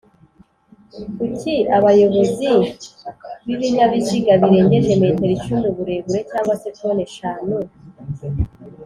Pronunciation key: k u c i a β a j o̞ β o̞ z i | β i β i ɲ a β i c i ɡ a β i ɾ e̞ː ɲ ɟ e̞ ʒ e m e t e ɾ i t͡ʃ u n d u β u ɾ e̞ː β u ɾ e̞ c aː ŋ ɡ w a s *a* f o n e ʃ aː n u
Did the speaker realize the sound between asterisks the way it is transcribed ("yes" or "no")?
no